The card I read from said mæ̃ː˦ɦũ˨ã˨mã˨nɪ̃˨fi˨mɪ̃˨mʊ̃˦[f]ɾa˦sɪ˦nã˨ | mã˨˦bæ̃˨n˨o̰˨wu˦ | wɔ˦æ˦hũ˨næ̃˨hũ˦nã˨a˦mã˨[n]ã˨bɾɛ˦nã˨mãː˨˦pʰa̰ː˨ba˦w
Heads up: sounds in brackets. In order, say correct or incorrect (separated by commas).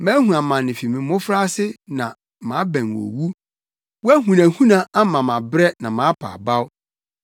correct, incorrect